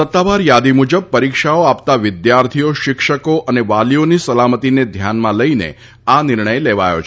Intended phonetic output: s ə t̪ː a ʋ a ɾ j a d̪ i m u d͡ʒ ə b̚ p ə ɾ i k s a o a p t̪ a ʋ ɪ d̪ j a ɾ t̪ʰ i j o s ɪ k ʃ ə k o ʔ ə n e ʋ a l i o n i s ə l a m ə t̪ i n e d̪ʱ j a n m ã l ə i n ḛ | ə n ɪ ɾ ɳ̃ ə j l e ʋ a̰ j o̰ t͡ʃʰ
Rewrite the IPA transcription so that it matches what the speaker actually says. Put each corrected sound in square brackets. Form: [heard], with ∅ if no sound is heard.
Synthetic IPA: s ə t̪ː a ʋ a ɾ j a d̪ i m u d͡ʒ ə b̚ p ə ɾ i k [ʃ] a o a p t̪ a ʋ ɪ d̪ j a ɾ t̪ʰ i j o [ʃ] ɪ k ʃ ə k o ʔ ə n e ʋ a l i o n i s ə l a m ə t̪ i n e d̪ʱ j a n m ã l ə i n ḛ | [a] n ɪ ɾ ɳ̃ ə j l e ʋ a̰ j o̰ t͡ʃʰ